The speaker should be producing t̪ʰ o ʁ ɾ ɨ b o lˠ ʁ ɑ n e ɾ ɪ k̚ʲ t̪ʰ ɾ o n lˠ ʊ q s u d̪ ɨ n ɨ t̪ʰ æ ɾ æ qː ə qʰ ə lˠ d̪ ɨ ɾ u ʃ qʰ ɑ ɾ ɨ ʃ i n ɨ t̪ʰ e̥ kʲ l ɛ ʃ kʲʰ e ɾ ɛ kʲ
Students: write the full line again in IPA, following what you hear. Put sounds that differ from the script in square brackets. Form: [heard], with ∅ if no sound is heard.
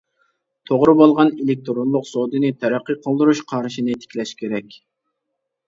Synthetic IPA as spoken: t̪ʰ o ʁ ɾ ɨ b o lˠ ʁ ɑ n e [l] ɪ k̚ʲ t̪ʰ ɾ o n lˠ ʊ q s [o] d̪ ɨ n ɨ t̪ʰ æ ɾ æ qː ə qʰ ə lˠ d̪ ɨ ɾ u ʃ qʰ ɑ ɾ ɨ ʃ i n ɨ t̪ʰ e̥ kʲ l ɛ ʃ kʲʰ e ɾ ɛ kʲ